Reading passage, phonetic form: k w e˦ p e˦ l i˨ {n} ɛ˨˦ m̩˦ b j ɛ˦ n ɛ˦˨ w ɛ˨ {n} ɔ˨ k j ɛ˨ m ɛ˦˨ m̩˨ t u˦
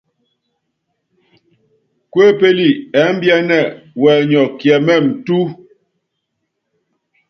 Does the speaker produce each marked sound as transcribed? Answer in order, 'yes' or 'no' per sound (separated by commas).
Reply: no, no